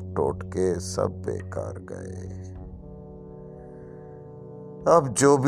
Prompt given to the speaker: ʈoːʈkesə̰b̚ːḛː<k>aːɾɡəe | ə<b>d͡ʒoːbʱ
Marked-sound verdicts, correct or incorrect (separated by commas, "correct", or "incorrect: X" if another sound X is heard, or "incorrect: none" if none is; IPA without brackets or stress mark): correct, correct